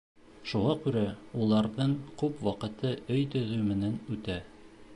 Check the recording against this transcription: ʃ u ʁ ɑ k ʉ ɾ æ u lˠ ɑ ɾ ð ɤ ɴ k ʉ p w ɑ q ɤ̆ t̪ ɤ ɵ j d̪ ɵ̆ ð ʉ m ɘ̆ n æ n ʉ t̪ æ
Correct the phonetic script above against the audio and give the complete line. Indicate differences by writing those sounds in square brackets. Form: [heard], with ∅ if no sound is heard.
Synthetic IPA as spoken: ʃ u ʁ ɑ k ʉ ɾ æ u lˠ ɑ ɾ ð ɤ ɴ k ʉ p w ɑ q ɤ̆ t̪ ɤ ɵ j [t̪] ɵ̆ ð ʉ m ɘ̆ n æ n ʉ t̪ æ